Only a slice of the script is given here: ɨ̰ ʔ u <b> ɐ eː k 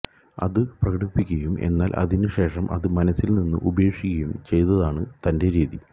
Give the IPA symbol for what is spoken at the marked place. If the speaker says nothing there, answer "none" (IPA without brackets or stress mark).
b